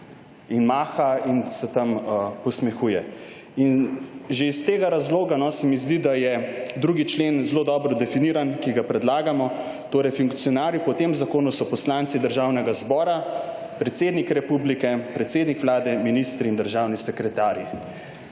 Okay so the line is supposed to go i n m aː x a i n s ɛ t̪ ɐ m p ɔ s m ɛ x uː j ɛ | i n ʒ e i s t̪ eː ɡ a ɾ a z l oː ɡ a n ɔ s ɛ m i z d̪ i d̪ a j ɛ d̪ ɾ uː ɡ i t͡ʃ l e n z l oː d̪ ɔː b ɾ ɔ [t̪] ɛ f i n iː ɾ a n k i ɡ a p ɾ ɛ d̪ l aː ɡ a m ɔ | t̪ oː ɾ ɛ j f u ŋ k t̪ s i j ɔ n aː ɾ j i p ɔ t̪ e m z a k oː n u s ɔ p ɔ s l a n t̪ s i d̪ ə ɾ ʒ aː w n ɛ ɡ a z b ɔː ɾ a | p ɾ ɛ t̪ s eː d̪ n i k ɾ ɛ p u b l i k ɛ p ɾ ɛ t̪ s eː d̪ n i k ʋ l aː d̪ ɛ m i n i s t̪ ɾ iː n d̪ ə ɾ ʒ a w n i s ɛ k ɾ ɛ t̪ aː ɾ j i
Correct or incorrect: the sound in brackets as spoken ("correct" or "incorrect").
incorrect